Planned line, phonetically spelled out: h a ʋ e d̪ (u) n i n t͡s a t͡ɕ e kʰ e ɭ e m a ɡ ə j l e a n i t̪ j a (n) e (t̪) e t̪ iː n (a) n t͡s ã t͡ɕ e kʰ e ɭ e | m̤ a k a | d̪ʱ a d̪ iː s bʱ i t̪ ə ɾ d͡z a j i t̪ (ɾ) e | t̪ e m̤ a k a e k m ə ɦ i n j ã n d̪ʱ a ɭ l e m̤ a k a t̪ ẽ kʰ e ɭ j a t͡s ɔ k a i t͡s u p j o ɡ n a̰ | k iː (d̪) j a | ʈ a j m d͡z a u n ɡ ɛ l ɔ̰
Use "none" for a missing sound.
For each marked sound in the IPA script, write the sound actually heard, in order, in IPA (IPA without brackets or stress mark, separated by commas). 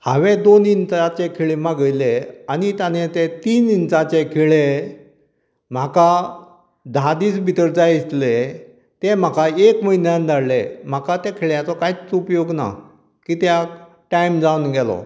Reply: o, n, t̪, i, l, t̪